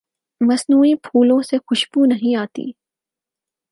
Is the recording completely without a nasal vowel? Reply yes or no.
no